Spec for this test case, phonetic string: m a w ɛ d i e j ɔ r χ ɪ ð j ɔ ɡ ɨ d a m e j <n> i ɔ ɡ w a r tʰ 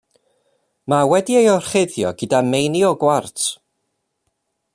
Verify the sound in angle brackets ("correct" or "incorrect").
correct